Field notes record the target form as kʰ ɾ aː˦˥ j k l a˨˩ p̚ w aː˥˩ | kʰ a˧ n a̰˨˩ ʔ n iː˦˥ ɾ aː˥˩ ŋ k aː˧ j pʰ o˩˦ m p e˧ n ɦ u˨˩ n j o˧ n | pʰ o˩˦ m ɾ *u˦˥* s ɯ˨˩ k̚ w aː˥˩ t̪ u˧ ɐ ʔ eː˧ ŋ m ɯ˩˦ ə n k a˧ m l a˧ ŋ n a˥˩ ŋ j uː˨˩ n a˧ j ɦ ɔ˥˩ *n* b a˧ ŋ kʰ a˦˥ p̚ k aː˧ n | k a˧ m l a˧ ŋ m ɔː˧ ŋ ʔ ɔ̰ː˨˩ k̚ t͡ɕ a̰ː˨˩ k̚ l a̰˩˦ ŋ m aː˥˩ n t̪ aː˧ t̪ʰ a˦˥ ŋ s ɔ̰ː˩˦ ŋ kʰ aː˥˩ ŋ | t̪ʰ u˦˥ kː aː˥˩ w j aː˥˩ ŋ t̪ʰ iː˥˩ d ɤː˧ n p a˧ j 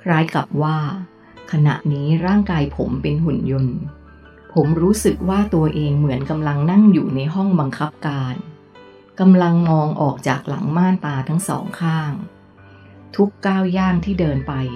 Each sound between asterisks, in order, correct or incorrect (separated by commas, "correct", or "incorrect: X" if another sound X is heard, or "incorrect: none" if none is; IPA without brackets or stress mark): incorrect: uː˦˥, incorrect: ŋ